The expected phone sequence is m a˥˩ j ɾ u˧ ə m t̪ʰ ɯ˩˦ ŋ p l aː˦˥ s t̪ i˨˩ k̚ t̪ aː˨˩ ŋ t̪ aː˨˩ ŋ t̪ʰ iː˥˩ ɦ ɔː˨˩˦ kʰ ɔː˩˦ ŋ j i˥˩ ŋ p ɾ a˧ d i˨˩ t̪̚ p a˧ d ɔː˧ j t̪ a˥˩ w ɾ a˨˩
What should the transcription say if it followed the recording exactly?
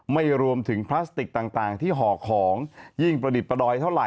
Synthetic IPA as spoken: m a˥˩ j ɾ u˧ ə m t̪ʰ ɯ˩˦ ŋ pʰ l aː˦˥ s t̪ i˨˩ k̚ t̪ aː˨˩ ŋ t̪ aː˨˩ ŋ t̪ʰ iː˥˩ ɦ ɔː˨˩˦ kʰ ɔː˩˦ ŋ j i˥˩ ŋ p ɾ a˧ d i˨˩ t̪̚ p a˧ d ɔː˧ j t̪ʰ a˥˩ w ɾ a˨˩